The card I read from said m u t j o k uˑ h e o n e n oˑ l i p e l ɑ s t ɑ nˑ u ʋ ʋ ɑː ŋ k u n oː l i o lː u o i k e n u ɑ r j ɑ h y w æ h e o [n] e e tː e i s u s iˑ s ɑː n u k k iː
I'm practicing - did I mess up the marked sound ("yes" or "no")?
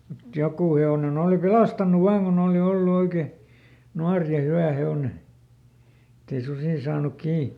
no